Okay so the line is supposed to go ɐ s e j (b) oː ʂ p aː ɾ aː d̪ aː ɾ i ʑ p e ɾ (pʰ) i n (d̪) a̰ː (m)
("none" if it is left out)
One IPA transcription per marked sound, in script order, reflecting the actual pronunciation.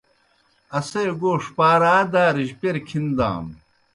ɡ, kʰ, d̪, m

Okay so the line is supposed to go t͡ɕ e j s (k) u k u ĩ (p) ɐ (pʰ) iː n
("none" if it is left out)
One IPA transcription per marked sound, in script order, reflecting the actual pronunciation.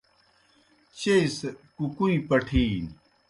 k, p, ʈʰ

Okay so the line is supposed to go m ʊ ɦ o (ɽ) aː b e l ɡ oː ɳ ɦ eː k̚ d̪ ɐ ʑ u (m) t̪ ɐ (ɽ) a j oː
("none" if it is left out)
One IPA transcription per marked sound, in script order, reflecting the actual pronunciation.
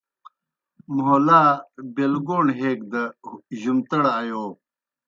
l, m, ɽ

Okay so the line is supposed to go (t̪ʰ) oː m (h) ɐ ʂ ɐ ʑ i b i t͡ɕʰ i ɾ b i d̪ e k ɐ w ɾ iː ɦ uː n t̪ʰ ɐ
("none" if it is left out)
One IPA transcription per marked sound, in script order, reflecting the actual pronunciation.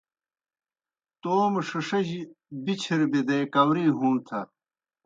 t̪, ʂ

